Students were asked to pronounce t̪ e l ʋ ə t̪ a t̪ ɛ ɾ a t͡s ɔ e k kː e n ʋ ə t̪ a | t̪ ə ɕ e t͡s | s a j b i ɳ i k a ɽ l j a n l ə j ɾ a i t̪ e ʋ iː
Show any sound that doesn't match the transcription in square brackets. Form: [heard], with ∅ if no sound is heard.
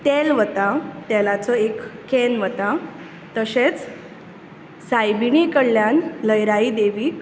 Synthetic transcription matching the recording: t̪ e l ʋ ə t̪ a t̪ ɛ [l] a t͡s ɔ e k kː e n ʋ ə t̪ a | t̪ ə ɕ e t͡s | s a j b i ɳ i k [ə] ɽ l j a n l ə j ɾ a i [d̪] e ʋ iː